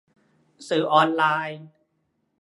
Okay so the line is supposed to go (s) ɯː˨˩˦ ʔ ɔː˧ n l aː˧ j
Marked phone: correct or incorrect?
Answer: correct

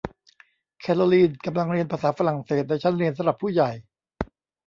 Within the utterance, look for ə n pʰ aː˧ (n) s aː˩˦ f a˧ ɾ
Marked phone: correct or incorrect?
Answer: incorrect: none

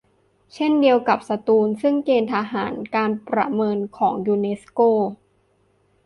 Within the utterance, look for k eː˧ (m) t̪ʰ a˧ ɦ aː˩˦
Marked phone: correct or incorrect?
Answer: incorrect: n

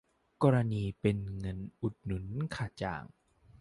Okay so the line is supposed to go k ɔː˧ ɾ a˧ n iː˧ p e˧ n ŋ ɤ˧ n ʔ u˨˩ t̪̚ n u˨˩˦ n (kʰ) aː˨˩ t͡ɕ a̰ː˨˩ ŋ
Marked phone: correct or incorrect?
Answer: correct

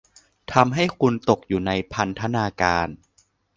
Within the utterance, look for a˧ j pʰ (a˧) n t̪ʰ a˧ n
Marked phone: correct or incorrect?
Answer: correct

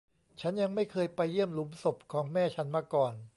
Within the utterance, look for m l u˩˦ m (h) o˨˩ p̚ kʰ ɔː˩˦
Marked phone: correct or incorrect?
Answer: incorrect: s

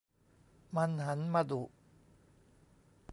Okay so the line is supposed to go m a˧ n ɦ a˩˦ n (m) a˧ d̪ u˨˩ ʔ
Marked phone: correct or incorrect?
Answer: correct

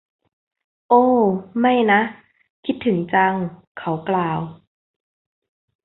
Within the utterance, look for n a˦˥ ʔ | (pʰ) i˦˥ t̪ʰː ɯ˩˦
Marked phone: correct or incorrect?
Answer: incorrect: kʰ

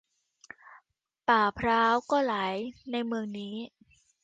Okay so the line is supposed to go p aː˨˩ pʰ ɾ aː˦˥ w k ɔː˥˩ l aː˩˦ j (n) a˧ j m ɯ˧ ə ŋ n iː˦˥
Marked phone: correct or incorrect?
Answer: correct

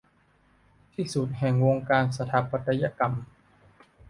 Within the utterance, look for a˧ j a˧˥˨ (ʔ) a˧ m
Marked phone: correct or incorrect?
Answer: incorrect: k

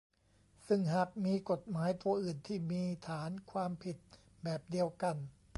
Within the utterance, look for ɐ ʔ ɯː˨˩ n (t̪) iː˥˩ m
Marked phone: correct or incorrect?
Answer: incorrect: t̪ʰ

